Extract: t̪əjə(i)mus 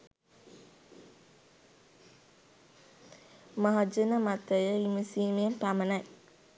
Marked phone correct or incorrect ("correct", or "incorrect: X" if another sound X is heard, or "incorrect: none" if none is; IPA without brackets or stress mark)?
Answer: correct